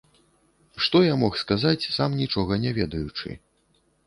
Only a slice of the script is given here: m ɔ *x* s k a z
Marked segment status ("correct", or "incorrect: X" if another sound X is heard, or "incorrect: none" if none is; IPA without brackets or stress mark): correct